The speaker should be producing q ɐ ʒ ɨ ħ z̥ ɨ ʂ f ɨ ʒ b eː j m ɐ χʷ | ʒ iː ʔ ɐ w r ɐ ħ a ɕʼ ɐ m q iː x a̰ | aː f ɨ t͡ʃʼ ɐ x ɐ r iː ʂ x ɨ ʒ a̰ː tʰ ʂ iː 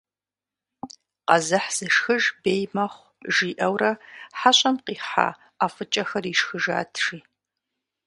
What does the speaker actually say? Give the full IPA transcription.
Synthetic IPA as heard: q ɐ z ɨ ħ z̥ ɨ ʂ x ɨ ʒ b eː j m ɐ χʷ | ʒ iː ʔ ɐ w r ɐ ħ a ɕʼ ɐ m q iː ħ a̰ | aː f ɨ t͡ʃʼ ɐ x ɐ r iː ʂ x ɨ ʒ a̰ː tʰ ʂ iː

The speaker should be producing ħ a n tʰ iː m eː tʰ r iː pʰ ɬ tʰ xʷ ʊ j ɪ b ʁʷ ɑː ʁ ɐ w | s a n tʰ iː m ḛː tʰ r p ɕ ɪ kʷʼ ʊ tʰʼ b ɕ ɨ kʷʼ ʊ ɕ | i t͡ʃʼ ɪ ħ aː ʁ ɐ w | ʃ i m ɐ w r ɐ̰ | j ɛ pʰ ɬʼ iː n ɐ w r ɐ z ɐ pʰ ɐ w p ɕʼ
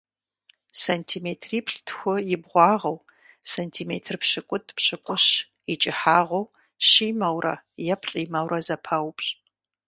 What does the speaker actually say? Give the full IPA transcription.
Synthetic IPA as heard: s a n tʰ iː m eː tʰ r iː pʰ ɬ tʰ xʷ ʊ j ɪ b ʁʷ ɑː ʁ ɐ w | s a n tʰ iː m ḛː tʰ r p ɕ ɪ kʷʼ ʊ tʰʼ p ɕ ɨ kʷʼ ʊ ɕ | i t͡ʃʼ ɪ ħ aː ʁ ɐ w | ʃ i m ɐ w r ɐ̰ | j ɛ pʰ ɬʼ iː m ɐ w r ɐ z ɐ pʰ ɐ w p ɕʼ

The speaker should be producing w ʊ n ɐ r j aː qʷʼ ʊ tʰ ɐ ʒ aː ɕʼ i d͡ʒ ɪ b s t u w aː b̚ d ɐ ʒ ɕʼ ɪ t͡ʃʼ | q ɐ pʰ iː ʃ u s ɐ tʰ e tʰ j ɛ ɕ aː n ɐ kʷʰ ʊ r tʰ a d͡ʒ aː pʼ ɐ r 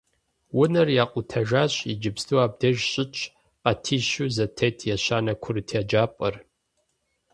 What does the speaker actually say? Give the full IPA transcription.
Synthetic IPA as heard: w ʊ n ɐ r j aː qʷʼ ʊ tʰ ɐ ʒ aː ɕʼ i d͡ʒ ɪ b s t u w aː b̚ d ɐ ʒ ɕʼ ɪ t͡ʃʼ | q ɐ tʰ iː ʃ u z ɐ tʰ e tʰ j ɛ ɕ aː n ɐ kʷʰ ʊ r tʰ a d͡ʒ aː pʼ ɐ r

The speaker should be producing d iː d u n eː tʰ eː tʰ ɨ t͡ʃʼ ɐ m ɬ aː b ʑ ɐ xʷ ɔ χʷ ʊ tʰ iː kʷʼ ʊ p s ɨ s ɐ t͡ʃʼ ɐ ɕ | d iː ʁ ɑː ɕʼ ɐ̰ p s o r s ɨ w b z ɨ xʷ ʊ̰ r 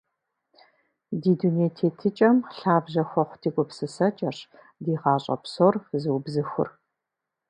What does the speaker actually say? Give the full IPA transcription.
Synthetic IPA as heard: d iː d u n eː tʰ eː tʰ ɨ t͡ʃʼ ɐ m ɬ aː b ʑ ɐ xʷ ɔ χʷ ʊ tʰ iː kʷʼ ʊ p s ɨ s ɐ t͡ʃʼ ɐ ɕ | d iː ʁ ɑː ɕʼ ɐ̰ p s o r z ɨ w b z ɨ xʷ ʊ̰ r

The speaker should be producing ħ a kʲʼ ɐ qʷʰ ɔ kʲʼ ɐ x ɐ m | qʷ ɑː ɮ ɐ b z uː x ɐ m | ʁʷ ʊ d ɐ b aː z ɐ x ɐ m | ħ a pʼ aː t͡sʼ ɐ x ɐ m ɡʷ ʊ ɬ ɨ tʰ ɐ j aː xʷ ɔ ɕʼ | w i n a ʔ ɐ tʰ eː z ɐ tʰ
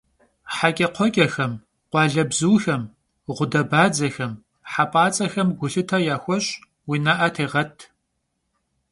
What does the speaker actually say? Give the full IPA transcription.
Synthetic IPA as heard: ħ a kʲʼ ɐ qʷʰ ɔ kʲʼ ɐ x ɐ m | qʷ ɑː ɮ ɐ b z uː x ɐ m | ʁʷ ʊ d ɐ b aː d͡z ɐ x ɐ m | ħ a pʼ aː t͡sʼ ɐ x ɐ m ɡʷ ʊ ɬ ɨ tʰ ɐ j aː xʷ ɔ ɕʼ | w i n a ʔ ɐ tʰ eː ʁ ɐ tʰ

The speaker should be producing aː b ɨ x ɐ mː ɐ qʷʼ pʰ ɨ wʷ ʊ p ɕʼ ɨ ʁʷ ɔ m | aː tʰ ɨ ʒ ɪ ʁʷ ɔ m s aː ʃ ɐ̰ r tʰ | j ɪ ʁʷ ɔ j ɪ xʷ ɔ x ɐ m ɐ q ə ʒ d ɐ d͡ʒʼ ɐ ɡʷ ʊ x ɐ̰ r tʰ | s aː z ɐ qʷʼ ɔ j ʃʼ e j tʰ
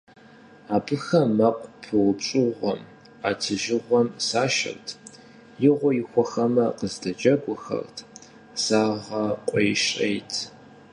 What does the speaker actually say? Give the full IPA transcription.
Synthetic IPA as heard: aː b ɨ x ɐ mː ɐ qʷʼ pʰ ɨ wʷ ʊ p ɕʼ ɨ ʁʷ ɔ m | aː tʰ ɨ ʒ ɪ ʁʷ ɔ m s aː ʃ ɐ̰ r tʰ | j ɪ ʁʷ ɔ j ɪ xʷ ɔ x ɐ m ɐ q ə z d ɐ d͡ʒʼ ɐ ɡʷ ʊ x ɐ̰ r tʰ | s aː ʁ ɐ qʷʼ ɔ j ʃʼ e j tʰ

